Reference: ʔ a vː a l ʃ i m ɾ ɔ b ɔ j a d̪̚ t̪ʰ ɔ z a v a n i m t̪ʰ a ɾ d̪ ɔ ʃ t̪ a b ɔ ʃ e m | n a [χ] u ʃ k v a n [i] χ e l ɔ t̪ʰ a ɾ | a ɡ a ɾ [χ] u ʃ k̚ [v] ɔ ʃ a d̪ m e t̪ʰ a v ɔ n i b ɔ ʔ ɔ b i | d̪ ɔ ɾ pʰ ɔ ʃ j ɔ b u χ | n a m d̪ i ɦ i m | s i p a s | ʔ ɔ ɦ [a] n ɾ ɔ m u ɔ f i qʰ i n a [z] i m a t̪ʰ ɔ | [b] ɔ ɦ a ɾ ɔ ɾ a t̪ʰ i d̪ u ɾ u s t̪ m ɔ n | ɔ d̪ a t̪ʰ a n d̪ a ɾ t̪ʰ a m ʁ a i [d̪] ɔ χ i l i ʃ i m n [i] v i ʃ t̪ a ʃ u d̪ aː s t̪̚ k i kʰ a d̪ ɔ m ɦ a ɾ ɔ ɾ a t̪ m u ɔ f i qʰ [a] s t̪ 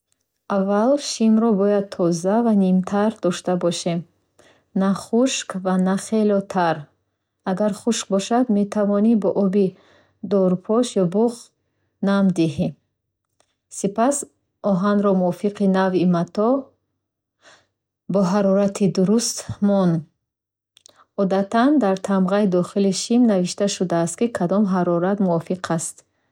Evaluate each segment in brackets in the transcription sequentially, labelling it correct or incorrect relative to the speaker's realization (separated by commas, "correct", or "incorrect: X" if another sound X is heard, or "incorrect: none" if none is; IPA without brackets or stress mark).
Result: correct, incorrect: a, correct, incorrect: b, correct, incorrect: v, correct, correct, incorrect: a, correct